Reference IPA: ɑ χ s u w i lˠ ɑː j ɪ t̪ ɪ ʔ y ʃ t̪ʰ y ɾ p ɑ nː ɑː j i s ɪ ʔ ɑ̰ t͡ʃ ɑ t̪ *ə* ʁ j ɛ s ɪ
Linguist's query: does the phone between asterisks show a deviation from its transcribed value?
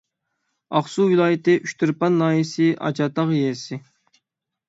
yes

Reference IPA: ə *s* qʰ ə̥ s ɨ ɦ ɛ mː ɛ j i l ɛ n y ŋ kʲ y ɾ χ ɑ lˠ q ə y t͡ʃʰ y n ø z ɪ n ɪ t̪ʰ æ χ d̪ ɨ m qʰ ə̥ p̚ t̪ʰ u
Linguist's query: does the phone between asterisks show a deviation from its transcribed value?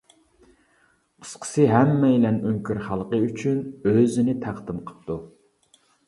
no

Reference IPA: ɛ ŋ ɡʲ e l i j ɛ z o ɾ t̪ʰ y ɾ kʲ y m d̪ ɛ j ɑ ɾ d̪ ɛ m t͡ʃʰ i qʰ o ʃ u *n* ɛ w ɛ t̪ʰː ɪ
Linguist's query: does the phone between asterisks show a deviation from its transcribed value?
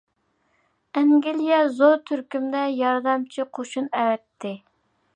no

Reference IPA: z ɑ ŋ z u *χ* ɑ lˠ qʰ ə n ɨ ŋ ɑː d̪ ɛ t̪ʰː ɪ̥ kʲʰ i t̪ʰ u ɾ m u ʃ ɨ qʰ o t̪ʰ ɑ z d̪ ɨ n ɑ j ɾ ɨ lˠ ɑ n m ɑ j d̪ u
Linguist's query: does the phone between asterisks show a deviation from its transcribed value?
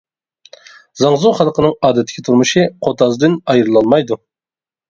no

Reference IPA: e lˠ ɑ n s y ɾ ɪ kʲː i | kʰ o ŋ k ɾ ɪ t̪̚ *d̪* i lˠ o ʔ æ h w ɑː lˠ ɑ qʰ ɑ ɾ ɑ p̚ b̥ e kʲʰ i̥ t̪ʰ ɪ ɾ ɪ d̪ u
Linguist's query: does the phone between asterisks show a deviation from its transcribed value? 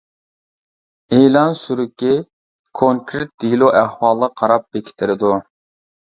no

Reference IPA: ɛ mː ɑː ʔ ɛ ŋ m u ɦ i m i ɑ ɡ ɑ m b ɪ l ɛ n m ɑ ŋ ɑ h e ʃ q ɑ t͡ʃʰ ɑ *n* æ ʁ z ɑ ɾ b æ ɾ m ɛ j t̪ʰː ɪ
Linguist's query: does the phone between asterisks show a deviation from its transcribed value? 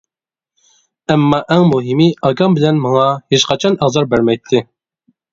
no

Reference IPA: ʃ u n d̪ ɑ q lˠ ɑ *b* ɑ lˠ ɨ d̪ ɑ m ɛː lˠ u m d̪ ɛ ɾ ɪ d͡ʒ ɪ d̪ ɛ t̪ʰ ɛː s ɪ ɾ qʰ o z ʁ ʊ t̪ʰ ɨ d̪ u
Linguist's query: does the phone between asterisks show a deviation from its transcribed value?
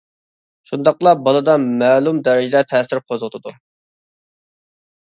no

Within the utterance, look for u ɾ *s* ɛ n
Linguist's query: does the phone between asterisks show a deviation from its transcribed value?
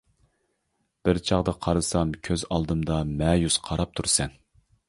no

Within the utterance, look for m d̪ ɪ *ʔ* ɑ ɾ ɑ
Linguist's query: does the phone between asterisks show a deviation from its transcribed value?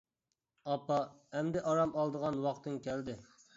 no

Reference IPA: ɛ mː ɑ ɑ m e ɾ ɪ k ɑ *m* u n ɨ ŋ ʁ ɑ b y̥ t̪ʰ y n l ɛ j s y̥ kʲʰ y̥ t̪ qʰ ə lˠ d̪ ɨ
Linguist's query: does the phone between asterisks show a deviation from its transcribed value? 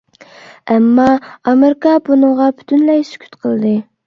yes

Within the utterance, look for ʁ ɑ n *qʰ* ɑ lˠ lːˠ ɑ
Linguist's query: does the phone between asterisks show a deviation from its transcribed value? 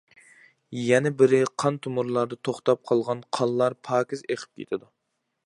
no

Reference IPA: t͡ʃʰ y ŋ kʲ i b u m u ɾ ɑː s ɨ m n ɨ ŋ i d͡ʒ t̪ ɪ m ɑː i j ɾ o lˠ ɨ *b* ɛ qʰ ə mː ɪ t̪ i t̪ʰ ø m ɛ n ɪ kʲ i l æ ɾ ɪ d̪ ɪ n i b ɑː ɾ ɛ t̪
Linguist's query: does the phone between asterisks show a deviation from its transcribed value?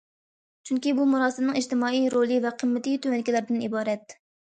yes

